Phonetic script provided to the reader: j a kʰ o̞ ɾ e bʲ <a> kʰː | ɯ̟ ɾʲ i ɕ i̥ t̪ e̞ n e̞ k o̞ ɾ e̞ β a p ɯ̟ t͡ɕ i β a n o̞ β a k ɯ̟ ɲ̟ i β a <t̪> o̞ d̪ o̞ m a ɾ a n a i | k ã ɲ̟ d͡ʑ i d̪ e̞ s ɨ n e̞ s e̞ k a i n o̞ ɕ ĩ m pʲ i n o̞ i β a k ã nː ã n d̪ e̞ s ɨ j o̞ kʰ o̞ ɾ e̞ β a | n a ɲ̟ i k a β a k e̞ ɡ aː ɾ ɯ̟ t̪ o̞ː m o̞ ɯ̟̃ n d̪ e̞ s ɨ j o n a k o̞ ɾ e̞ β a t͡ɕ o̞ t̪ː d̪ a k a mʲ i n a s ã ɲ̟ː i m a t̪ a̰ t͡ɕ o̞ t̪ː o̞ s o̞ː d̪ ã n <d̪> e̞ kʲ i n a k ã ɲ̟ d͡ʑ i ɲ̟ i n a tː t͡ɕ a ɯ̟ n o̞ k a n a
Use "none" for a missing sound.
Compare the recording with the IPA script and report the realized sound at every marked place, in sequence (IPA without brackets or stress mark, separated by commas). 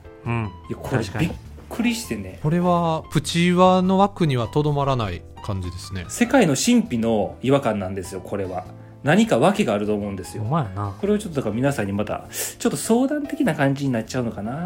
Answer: i, t̪, t̪